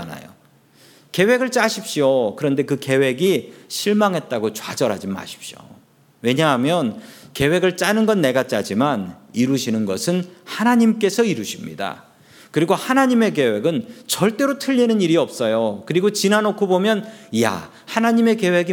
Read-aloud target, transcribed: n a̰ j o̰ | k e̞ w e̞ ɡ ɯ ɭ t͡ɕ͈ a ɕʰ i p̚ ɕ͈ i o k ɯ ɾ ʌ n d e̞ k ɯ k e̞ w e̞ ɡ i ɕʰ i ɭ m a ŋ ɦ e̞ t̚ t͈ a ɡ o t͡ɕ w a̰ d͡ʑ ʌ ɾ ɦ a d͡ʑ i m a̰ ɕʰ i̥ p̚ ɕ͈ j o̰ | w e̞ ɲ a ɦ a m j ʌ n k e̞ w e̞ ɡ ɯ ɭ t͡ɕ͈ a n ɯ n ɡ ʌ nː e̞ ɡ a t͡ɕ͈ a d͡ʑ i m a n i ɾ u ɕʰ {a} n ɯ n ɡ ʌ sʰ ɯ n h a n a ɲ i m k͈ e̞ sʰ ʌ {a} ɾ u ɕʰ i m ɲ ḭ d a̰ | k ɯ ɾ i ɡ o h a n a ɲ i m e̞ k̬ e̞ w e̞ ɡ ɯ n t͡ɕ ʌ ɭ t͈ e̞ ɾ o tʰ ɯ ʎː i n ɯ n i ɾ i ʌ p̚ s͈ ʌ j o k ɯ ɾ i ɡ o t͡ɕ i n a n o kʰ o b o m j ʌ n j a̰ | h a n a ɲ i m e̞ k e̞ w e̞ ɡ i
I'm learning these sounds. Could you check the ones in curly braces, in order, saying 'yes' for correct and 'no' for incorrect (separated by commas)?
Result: no, no